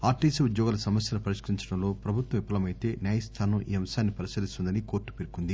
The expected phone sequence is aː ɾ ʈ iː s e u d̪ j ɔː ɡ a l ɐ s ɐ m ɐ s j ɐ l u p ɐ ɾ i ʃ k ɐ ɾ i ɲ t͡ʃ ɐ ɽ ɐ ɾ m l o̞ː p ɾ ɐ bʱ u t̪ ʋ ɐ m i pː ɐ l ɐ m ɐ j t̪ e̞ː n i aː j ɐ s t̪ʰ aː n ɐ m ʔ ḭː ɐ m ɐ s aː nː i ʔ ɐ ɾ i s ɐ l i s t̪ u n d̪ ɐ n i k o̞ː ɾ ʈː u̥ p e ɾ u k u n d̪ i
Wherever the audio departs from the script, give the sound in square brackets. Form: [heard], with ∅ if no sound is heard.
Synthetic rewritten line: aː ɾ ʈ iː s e u d̪ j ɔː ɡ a l ɐ s ɐ m ɐ s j ɐ l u p ɐ ɾ i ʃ k ɐ ɾ i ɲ t͡ʃ ɐ ɽ ɐ [∅] m l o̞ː p ɾ ɐ bʱ u t̪ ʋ ɐ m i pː ɐ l ɐ m ɐ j t̪ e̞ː n [j] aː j ɐ s t̪ʰ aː n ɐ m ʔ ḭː ɐ m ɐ s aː nː i [p] ɐ ɾ i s ɐ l i s t̪ u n d̪ ɐ n i k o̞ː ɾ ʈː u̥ p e ɾ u k u n d̪ i